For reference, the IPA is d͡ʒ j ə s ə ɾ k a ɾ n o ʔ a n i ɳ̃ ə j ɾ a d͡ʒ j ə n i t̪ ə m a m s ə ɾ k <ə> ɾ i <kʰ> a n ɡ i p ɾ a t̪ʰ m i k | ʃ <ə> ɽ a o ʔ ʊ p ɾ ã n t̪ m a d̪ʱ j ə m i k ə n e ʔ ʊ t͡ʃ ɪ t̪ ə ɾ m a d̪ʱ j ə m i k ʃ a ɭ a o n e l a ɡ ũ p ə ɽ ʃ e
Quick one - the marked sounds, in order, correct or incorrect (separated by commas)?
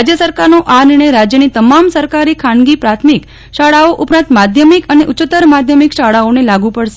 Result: incorrect, correct, incorrect